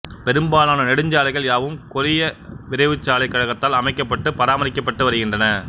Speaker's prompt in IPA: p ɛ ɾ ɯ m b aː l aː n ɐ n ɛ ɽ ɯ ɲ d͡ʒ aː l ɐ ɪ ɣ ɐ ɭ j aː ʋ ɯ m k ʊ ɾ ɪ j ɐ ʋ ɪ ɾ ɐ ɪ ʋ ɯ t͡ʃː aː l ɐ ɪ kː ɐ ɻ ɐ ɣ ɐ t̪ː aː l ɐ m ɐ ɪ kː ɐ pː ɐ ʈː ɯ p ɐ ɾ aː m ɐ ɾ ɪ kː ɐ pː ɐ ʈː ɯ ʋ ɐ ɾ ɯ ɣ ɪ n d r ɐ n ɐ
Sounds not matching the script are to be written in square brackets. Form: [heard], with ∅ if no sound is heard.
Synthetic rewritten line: p ɛ ɾ ɯ m b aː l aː n ɐ n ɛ ɽ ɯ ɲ d͡ʒ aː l ɐ ɪ ɣ ɐ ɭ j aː ʋ ɯ m k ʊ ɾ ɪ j ɐ ʋ ɪ ɾ ɐ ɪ ʋ ɯ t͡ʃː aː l ɐ ɪ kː ɐ ɻ ɐ ɣ ɐ t̪ː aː l ɐ m ɐ ɪ kː ɐ pː ɐ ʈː ɯ p ɐ ɾ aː m ɐ ɾ ɪ kː ɐ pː ɐ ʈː ɯ ʋ ɐ ɾ ɯ ɣ ɪ n d r ɐ n ɐ